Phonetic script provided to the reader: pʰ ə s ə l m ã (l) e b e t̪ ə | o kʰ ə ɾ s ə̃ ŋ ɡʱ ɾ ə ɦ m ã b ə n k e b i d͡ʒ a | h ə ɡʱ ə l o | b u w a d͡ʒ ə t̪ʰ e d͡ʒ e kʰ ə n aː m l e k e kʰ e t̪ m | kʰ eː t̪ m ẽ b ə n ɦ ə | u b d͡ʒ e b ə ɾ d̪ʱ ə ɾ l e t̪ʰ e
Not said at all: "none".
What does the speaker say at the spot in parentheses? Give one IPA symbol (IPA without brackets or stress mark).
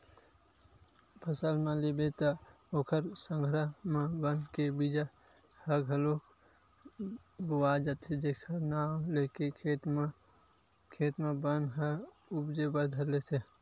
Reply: l